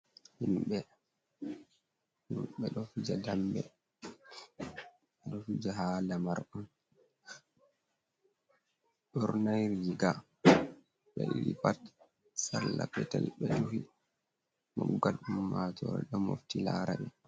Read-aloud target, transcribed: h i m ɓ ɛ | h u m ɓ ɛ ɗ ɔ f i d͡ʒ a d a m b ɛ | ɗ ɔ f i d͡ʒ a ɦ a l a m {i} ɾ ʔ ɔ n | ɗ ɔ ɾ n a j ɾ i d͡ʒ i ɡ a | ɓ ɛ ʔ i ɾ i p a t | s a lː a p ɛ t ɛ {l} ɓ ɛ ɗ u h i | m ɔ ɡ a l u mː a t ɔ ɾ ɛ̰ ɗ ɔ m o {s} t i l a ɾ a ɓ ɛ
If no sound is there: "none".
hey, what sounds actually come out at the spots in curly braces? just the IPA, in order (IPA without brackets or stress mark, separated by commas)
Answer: a, l, f